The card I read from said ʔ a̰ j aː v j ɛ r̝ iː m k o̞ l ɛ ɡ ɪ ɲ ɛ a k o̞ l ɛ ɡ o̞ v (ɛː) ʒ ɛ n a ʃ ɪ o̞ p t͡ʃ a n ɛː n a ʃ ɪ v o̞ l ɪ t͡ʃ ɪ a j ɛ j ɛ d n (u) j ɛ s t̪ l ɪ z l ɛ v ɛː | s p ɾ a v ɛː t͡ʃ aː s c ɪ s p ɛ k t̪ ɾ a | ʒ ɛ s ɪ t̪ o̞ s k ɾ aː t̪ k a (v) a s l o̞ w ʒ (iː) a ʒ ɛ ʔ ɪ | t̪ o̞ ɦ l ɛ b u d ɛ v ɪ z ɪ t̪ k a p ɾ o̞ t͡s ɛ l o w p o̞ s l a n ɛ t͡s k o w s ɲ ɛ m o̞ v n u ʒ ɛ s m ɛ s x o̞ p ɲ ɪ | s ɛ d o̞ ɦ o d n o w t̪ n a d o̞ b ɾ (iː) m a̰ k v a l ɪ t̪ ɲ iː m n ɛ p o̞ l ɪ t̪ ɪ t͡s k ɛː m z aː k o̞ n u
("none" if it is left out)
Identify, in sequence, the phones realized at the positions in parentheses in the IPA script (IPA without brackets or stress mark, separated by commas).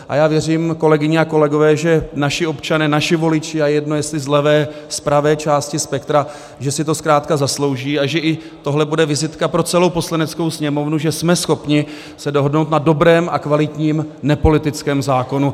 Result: ɛː, o, z, iː, ɛː